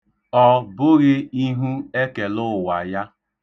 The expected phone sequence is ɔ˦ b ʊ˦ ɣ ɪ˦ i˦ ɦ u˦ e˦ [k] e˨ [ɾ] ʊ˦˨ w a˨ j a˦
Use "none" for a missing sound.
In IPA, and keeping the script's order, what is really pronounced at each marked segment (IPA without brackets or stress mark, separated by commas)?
k, l